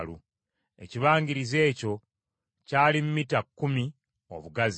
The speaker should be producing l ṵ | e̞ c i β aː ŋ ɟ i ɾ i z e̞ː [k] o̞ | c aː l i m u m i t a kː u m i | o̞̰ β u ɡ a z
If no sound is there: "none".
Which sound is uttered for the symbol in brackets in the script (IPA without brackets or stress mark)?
c